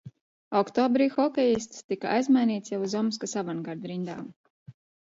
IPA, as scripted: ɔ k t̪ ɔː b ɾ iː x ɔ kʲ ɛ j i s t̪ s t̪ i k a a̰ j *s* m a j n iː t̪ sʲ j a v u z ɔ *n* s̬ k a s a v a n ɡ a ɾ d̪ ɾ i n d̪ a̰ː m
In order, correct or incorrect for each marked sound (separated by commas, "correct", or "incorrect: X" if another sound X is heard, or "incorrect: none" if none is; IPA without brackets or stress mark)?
incorrect: z, incorrect: m